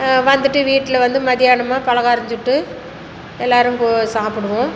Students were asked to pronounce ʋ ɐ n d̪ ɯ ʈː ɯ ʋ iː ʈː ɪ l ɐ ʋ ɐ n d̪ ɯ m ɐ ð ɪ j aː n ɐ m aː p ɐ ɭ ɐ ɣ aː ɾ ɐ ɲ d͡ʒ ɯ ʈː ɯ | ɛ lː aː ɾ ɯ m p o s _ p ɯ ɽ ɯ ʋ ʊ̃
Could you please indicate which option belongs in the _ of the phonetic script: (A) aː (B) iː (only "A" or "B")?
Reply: A